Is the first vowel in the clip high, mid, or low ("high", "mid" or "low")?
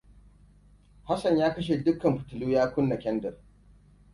low